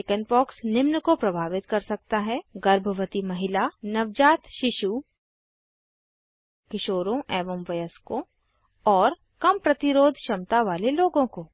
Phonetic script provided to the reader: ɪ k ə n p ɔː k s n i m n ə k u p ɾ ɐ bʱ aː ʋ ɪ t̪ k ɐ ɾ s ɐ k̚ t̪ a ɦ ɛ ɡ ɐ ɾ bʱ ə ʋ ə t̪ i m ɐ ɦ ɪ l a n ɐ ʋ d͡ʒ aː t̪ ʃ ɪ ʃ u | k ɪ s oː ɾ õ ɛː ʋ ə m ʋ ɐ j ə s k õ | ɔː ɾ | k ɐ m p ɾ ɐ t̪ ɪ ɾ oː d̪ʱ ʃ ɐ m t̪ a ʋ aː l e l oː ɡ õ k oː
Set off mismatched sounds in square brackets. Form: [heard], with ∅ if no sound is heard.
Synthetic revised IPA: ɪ k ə n p ɔː k s n [ɪ] m n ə k [o] p ɾ ɐ bʱ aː ʋ ɪ t̪ k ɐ ɾ s ɐ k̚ t̪ a ɦ ɛ ɡ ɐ ɾ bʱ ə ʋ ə t̪ i m ɐ ɦ ɪ l a n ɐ ʋ d͡ʒ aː t̪ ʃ ɪ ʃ u | k ɪ [ʃ] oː ɾ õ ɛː ʋ ə m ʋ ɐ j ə s k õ | ɔː ɾ | k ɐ m p ɾ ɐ t̪ ɪ ɾ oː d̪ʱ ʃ ɐ m t̪ a ʋ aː l e l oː ɡ õ k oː